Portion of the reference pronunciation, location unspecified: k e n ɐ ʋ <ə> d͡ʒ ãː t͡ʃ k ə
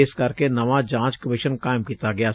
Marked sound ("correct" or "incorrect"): incorrect